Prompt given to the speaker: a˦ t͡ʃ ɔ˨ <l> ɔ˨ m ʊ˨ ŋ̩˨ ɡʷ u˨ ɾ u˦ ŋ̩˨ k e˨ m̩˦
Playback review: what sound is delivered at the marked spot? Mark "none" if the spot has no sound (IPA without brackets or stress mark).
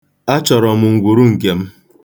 ɾ